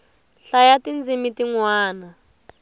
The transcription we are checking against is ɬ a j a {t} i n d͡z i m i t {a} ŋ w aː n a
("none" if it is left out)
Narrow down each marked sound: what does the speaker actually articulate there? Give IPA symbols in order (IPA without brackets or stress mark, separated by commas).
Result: t, i